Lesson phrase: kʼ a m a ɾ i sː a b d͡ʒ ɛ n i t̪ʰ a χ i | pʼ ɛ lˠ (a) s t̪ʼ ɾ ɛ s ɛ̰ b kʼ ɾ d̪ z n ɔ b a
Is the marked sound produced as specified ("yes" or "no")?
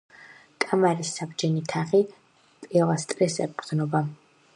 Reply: yes